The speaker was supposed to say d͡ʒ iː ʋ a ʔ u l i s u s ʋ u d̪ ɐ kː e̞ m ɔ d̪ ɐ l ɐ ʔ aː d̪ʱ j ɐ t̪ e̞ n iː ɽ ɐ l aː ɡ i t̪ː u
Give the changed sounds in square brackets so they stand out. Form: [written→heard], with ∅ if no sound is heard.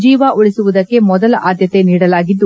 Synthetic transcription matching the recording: d͡ʒ iː ʋ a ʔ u [l→ɭ] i s u [s→∅] ʋ u d̪ ɐ kː e̞ m ɔ d̪ ɐ l ɐ ʔ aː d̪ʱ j ɐ t̪ e̞ n iː ɽ ɐ l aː ɡ i [t̪ː→d̪ː] u